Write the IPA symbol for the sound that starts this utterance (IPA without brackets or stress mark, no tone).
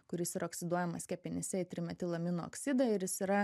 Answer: k